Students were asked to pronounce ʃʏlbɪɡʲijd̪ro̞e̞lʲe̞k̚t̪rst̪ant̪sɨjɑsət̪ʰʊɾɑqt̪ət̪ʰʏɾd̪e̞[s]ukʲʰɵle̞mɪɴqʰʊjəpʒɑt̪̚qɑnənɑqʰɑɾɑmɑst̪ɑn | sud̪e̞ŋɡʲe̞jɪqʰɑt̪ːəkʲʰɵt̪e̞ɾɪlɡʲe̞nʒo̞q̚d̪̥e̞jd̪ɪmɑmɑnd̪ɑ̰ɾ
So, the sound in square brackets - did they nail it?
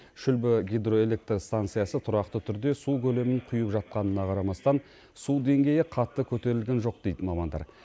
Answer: yes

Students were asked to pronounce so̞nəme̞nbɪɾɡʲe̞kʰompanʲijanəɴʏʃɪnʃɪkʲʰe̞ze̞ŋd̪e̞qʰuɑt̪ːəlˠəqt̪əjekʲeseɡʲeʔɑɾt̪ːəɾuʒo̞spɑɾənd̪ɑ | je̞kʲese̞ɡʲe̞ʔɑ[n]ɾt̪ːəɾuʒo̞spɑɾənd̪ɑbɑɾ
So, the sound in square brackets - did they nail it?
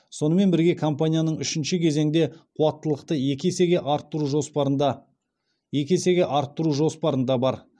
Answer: no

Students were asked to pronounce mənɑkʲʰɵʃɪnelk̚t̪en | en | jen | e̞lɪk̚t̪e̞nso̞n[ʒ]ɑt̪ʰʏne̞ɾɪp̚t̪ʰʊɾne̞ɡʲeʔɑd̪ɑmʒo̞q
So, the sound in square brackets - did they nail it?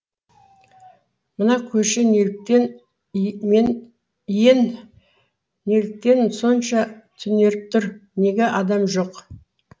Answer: no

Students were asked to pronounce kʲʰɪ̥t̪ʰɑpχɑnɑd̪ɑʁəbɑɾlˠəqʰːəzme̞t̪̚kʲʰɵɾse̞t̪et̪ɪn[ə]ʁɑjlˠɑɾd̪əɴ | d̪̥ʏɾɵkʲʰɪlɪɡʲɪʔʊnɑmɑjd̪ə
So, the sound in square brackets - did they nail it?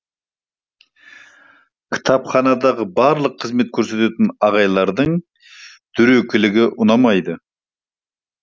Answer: no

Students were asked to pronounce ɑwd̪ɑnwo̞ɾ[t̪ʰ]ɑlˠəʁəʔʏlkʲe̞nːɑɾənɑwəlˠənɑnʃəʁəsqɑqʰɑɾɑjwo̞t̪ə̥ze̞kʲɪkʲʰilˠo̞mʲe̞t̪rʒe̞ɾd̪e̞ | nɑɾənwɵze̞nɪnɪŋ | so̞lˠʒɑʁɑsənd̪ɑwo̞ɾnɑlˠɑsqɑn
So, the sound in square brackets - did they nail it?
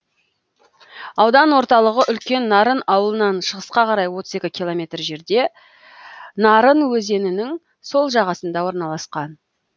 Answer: no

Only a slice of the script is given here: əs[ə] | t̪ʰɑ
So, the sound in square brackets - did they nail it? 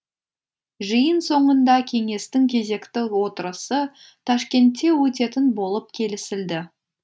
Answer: yes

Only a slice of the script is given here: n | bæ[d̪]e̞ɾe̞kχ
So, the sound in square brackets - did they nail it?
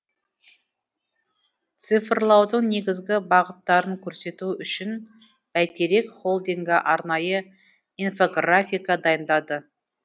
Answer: no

